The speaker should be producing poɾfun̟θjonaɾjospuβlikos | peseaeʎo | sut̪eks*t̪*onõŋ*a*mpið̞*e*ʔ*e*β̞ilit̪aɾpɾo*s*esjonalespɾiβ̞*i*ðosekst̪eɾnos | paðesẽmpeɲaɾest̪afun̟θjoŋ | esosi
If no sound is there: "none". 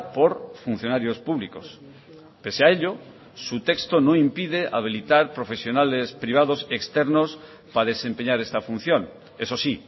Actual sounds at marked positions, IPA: t̪, i, e, a, f, a

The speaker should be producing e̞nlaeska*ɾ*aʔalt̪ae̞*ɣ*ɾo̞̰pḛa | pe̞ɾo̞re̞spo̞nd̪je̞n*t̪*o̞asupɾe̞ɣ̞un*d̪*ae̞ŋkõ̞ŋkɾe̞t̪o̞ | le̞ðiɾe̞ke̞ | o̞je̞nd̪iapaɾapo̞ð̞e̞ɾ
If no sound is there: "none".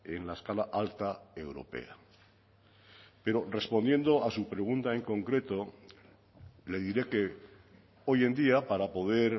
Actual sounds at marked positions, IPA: l, w, d̪, t̪

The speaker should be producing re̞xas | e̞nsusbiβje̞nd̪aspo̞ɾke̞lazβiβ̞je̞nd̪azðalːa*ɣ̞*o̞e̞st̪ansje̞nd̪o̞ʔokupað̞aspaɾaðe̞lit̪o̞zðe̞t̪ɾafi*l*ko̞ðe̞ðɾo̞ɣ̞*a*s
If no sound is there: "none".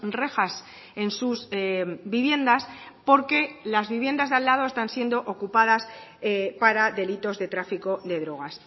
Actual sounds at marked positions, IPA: ð̞, none, a

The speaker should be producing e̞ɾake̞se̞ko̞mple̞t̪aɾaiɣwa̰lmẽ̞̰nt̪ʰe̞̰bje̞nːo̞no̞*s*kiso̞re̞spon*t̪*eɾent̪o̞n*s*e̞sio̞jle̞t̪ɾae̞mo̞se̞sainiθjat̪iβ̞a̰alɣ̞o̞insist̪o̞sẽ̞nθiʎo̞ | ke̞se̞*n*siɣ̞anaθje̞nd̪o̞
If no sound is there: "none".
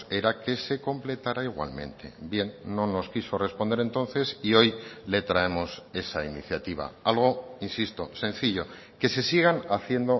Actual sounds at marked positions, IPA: s, d̪, θ, none

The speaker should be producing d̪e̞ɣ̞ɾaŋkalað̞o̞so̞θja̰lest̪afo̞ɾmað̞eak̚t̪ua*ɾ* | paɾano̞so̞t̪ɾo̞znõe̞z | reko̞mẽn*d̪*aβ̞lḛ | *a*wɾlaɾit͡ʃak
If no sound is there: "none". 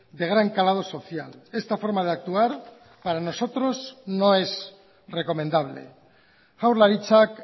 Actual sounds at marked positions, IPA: ɾ, d̪, a

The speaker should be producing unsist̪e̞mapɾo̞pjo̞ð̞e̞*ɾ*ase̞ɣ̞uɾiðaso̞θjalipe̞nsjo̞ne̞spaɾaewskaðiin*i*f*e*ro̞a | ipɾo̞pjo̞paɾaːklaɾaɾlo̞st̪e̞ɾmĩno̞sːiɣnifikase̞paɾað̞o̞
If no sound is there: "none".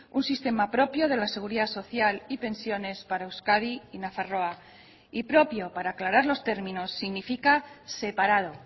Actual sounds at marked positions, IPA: l, a, a

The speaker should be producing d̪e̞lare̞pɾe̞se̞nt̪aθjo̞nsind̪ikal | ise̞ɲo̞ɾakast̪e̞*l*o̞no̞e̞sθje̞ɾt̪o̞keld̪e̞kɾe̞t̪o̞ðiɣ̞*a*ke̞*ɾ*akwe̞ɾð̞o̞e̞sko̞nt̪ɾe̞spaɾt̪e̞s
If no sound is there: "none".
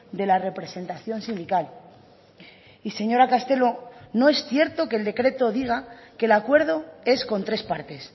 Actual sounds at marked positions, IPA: l, a, l

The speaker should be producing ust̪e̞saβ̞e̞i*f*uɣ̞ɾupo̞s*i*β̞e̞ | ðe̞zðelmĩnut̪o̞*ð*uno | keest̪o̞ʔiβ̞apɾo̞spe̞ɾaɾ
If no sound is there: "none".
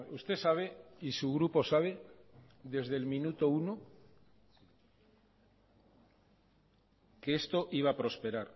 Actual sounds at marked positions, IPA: s, a, none

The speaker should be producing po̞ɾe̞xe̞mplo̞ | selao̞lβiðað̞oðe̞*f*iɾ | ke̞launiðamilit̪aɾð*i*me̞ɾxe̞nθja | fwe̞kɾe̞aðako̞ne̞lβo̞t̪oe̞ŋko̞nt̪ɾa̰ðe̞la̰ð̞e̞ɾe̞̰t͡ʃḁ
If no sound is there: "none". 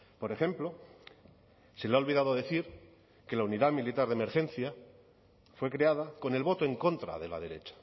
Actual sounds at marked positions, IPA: θ, e

